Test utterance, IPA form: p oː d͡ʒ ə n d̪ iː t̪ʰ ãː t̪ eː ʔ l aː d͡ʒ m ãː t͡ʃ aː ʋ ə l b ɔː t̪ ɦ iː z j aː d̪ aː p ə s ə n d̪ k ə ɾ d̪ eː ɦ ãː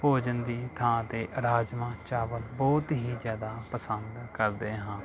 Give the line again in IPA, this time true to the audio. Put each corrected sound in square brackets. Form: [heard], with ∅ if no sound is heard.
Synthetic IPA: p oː d͡ʒ ə n d̪ iː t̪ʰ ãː t̪ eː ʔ [ɾ] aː d͡ʒ m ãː t͡ʃ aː ʋ ə l b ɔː t̪ ɦ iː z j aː d̪ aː p ə s ə n d̪ k ə ɾ d̪ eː ɦ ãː